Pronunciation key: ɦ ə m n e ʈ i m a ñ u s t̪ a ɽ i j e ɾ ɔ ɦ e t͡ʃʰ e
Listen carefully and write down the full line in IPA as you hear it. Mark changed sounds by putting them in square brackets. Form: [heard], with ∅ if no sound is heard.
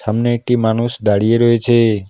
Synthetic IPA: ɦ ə m n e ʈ i m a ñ u s [d̪] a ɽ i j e ɾ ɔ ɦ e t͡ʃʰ e